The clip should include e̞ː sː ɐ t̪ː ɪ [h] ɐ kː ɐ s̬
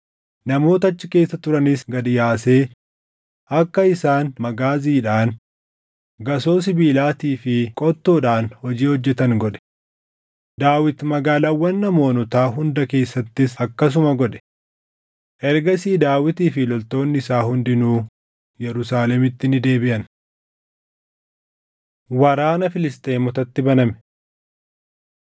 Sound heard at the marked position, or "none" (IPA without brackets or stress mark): s